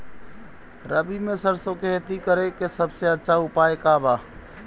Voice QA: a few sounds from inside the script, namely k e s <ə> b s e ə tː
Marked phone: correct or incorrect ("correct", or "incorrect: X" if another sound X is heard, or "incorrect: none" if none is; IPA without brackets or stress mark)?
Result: correct